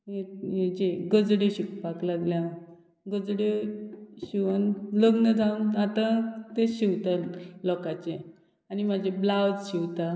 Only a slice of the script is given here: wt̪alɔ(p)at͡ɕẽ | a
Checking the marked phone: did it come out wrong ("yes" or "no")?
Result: yes